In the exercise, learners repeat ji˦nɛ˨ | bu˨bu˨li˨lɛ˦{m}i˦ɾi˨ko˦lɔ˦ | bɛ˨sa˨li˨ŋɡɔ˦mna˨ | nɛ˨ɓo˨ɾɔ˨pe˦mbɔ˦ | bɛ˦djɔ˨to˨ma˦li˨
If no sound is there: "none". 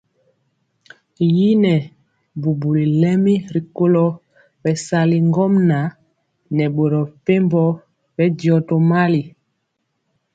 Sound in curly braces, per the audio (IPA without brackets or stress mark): m